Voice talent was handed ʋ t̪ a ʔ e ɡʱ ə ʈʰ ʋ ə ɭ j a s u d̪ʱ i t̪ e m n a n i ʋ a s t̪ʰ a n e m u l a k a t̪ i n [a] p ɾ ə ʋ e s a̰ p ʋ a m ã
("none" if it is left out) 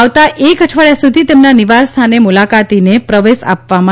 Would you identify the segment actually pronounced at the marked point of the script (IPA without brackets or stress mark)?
e